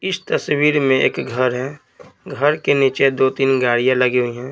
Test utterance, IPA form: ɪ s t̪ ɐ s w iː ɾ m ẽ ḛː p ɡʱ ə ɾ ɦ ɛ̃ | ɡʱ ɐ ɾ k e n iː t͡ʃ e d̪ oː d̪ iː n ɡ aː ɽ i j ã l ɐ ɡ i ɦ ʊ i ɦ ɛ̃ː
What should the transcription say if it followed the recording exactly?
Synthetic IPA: ɪ s t̪ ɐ s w iː ɾ m ẽ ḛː k ɡʱ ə ɾ ɦ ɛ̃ | ɡʱ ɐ ɾ k e n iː t͡ʃ e d̪ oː t̪ iː n ɡ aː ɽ i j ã l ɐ ɡ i ɦ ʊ i ɦ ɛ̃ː